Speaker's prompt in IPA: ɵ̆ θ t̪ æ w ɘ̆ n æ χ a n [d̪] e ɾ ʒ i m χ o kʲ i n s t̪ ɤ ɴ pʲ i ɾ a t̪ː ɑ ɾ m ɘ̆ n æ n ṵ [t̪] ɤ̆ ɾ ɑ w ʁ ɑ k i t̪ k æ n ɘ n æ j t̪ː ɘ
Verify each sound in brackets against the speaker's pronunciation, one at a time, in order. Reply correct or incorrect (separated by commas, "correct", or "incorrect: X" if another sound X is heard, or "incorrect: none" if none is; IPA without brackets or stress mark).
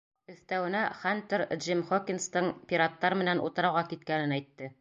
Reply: incorrect: t̪, correct